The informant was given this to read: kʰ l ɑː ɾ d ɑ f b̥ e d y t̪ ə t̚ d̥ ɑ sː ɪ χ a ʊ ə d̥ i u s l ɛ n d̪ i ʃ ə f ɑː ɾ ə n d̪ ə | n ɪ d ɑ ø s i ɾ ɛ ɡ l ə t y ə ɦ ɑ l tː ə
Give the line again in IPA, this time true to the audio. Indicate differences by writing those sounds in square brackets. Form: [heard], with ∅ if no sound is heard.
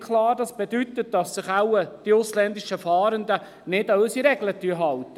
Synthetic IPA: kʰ l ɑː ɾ d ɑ [s] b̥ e d y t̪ ə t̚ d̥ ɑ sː ɪ χ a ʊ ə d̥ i [ʊ] s l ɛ n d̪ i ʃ ə f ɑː ɾ ə n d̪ ə | n ɪ d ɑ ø s i ɾ ɛ ɡ l ə t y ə ɦ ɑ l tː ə